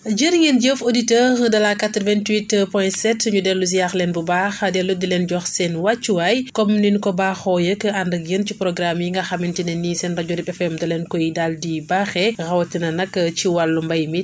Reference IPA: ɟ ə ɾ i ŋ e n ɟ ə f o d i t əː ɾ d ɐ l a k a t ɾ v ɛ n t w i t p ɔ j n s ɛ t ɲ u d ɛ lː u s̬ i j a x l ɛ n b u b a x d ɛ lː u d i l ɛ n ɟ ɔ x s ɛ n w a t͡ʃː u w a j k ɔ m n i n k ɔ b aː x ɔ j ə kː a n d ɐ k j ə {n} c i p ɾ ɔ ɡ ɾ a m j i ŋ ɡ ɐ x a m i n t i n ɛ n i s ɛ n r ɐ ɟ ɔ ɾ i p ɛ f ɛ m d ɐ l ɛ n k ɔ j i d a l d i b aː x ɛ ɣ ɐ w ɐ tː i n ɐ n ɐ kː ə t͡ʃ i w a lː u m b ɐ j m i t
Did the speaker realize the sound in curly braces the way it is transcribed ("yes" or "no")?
yes